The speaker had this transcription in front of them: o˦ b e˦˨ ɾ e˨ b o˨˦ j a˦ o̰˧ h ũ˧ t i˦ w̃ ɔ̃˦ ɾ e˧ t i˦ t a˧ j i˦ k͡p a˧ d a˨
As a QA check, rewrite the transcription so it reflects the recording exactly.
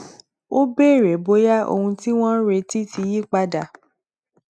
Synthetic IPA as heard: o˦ b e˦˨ ɾ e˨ b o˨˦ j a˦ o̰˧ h ũ˧ t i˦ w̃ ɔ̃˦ ɾ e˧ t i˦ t i˧ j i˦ k͡p a˧ d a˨